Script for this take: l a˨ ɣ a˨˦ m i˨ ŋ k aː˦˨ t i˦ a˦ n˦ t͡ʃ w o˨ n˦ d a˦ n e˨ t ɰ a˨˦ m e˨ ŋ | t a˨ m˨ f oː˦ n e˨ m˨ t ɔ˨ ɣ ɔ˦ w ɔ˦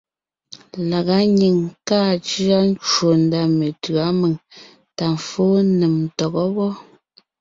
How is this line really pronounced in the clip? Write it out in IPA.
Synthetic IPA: l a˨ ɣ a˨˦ ɲ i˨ ŋ k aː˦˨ t͡ʃ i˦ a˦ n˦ t͡ʃ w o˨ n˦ d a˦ m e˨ t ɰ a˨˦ m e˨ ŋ | t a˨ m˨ f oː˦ n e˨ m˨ t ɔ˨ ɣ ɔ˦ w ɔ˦